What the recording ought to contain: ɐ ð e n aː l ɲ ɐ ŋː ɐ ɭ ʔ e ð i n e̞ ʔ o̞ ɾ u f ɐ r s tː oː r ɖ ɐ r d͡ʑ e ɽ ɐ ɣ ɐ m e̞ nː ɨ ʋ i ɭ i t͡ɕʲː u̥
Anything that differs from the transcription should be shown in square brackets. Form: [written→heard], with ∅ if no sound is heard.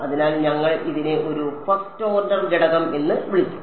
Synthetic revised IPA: ɐ ð [e→i] n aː l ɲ ɐ ŋː ɐ ɭ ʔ [e→i] ð i n e̞ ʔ o̞ ɾ u f ɐ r s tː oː r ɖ ɐ r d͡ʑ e ɽ ɐ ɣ ɐ m e̞ nː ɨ ʋ i ɭ i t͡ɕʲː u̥